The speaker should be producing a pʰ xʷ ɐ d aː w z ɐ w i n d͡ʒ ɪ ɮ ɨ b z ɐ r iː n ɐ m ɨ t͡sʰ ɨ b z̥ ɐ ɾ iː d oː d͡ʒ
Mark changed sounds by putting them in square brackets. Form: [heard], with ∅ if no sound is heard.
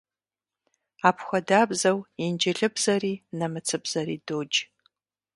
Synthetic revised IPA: a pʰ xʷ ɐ d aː [b] z ɐ w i n d͡ʒ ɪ ɮ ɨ b z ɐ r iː n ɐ m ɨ t͡sʰ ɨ b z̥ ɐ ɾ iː d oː d͡ʒ

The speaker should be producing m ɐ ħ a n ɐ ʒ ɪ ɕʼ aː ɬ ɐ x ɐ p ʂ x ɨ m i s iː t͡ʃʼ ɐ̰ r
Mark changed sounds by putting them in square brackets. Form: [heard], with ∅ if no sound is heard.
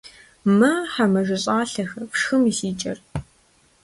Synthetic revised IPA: m ɐ ħ a [m] ɐ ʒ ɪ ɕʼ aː ɬ ɐ x ɐ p ʂ x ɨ m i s iː t͡ʃʼ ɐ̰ r

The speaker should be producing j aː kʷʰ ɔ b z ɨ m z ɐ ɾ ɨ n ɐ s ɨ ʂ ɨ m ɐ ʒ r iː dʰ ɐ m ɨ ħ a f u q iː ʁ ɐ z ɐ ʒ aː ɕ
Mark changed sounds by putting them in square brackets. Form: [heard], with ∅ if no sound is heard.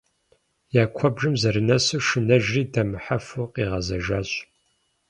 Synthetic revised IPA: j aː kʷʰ ɔ b [ʒ] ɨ m z ɐ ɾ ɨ n ɐ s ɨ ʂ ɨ [n] ɐ ʒ r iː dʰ ɐ m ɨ ħ a f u q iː ʁ ɐ z ɐ ʒ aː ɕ

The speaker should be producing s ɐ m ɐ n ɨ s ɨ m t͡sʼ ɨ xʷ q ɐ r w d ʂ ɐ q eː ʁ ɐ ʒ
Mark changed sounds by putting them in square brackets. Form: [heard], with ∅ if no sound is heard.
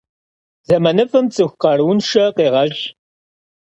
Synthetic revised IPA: [z] ɐ m ɐ n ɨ [f] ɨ m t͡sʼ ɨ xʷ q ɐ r w [n] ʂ ɐ q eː ʁ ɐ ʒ

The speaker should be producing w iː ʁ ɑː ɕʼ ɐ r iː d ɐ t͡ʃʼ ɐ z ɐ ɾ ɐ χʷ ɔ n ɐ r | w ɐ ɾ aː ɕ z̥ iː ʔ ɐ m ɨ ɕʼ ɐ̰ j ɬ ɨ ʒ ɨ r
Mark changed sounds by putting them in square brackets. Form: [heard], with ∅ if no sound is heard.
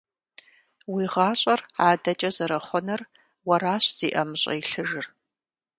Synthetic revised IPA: w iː ʁ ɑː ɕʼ ɐ r [aː] d ɐ t͡ʃʼ ɐ z ɐ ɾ ɐ χʷ ɔ n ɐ r | w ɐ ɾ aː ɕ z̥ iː ʔ ɐ m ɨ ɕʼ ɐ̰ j ɬ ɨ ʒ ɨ r

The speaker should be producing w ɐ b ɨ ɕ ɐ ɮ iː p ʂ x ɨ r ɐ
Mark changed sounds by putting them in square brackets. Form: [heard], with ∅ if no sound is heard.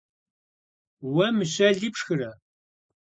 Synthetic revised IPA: w ɐ [m] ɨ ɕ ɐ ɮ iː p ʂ x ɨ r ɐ

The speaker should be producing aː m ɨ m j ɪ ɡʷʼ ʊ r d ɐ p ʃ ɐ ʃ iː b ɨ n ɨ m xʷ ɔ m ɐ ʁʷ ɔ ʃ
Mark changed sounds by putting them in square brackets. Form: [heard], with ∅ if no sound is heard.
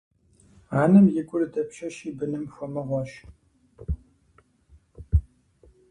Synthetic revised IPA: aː [n] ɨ m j ɪ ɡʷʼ ʊ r d ɐ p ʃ ɐ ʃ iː b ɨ n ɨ m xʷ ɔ m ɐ ʁʷ ɔ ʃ

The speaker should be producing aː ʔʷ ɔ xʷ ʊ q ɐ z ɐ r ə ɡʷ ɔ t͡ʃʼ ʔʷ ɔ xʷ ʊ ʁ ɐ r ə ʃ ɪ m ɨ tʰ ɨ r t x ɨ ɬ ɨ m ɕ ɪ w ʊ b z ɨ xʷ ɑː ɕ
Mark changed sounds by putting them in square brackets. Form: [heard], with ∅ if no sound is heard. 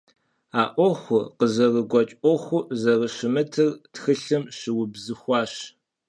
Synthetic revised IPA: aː ʔʷ ɔ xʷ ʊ q [ə] z ɐ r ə ɡʷ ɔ t͡ʃʼ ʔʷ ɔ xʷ ʊ [z] ɐ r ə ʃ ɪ m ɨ tʰ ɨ r t x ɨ ɬ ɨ m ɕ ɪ w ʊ b z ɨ xʷ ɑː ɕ

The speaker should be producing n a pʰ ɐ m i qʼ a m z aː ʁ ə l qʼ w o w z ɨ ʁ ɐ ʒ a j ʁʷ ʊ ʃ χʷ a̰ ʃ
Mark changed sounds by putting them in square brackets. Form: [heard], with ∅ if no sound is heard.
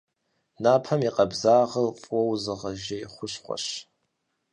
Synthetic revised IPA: n a pʰ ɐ m i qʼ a [b] z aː ʁ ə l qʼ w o w z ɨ ʁ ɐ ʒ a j [χʷ] ʊ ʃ χʷ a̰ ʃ

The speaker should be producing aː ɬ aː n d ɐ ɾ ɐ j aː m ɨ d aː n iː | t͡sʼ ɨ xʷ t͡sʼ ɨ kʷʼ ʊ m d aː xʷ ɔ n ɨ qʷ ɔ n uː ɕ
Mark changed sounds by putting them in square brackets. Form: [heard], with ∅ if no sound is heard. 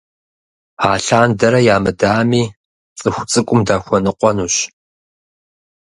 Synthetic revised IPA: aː ɬ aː n d ɐ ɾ ɐ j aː m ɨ d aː [m] iː | t͡sʼ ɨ xʷ t͡sʼ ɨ kʷʼ ʊ m d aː xʷ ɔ n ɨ qʷ ɔ n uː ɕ

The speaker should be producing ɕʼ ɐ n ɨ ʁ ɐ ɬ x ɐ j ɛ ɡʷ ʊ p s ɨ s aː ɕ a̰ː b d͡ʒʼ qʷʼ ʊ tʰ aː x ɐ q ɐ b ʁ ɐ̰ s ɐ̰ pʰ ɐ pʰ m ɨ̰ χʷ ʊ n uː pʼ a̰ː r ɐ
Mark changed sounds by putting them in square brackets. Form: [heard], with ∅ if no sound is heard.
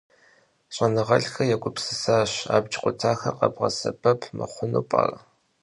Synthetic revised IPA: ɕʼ ɐ n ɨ ʁ ɐ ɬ x ɐ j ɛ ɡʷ ʊ p s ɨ s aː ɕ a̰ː b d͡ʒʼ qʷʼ ʊ tʰ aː x ɐ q ɐ b ʁ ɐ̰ s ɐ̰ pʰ ɐ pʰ m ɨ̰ χʷ ʊ n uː pʼ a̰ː r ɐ

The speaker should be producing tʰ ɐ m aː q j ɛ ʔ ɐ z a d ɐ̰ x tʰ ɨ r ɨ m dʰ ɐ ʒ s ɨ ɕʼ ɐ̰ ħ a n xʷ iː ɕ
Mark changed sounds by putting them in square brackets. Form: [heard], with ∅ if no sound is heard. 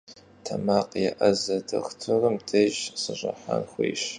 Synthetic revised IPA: tʰ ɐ m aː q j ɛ ʔ ɐ z [ɐ] d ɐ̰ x tʰ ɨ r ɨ m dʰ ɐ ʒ s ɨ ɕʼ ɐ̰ ħ a n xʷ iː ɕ

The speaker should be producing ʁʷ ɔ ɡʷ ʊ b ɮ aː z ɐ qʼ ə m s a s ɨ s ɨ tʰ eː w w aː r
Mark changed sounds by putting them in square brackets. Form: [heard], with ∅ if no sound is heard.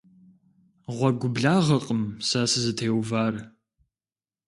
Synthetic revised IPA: ʁʷ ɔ ɡʷ ʊ b ɮ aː [ʁ] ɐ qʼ ə m s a s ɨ [z] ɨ tʰ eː w [v] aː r

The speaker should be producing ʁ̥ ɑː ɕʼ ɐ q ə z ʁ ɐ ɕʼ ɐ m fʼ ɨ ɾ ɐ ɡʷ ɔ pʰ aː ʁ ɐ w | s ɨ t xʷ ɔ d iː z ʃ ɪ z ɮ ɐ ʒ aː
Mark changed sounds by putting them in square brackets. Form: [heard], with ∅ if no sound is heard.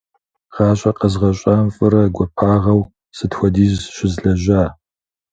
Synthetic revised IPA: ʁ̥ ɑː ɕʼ ɐ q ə z ʁ ɐ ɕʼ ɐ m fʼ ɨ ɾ ɐ ɡʷ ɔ pʰ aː ʁ ɐ w | s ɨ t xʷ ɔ d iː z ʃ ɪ z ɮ ɐ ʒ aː

